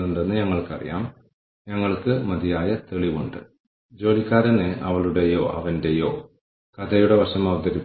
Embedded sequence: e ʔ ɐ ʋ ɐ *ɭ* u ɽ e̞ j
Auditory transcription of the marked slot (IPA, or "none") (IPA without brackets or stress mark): ɭ